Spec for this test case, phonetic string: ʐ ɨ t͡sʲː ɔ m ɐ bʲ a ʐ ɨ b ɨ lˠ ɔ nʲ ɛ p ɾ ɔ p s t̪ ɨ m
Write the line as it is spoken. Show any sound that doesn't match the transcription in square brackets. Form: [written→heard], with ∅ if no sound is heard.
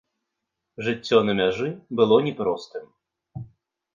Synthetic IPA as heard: ʐ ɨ t͡sʲː ɔ [m→n] ɐ [bʲ→mʲ] a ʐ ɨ b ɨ lˠ ɔ nʲ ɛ p ɾ ɔ [p→∅] s t̪ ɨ m

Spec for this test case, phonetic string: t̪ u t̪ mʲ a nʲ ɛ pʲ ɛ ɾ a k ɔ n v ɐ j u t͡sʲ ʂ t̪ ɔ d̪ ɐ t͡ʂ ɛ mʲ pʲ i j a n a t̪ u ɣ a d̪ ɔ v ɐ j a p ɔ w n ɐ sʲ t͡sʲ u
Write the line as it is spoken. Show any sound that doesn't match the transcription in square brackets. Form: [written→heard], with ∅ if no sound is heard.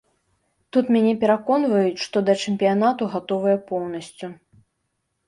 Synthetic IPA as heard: t̪ u t̪ mʲ a nʲ ɛ pʲ ɛ ɾ a k ɔ n v ɐ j u t͡sʲ ʂ t̪ ɔ d̪ ɐ t͡ʂ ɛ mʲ pʲ i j a n a t̪ u ɣ a [d̪→t̪] ɔ v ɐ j [a→ɛ] p ɔ w n ɐ sʲ t͡sʲ u

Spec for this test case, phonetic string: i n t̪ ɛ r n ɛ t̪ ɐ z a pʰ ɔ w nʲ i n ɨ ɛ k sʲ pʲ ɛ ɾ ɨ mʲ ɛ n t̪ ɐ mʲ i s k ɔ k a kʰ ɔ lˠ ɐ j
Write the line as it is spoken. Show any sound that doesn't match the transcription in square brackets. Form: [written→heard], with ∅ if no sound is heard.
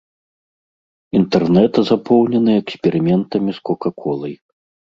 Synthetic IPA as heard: i n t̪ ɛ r n ɛ t̪ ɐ z a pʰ ɔ w nʲ [i→ɛ] n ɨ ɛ k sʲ pʲ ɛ ɾ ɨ mʲ ɛ n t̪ ɐ mʲ i s k ɔ k a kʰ ɔ lˠ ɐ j

